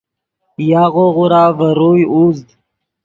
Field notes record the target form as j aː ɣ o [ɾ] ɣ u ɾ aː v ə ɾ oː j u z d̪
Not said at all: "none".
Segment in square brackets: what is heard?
none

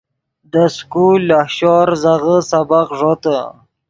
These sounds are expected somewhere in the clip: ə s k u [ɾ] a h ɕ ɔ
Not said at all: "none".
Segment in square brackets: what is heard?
l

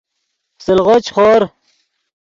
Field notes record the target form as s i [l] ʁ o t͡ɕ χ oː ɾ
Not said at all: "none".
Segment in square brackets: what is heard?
l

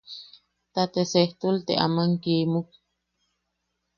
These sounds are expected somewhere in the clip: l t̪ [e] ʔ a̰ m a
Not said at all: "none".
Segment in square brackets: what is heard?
e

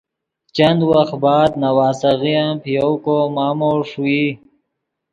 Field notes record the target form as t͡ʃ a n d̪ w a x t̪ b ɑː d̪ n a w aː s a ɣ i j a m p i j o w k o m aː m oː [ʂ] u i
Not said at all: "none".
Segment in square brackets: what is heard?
ʂ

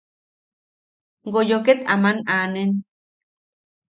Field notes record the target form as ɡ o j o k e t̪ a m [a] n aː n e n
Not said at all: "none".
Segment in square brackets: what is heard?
a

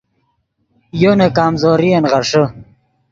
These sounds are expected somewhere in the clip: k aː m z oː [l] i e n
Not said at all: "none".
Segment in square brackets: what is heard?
ɾ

